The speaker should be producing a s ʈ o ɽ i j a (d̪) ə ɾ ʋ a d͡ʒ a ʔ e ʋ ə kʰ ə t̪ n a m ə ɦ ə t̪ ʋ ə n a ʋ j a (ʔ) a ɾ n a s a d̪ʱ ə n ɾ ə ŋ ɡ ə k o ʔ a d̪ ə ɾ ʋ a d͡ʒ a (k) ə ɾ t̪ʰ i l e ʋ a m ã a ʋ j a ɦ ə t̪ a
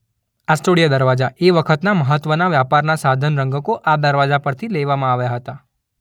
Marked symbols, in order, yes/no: yes, no, no

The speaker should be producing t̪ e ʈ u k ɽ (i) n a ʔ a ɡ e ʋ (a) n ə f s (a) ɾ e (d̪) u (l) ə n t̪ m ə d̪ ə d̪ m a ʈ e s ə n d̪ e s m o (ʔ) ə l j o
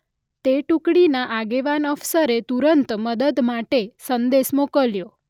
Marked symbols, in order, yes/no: yes, yes, no, no, no, no

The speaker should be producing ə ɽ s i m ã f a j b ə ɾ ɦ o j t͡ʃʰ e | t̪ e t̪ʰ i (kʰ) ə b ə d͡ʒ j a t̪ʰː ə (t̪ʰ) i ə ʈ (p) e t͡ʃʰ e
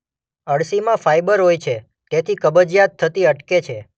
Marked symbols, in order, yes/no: no, no, no

